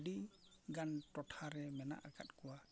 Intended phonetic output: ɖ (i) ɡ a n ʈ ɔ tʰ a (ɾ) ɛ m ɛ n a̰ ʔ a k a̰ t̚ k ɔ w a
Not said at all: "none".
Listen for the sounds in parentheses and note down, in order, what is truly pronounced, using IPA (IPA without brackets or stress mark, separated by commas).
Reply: i, ɾ